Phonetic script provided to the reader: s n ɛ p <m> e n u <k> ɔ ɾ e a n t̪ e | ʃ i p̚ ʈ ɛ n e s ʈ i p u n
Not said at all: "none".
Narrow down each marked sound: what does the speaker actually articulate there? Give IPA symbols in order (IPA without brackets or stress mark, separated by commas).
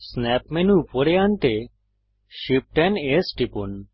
m, p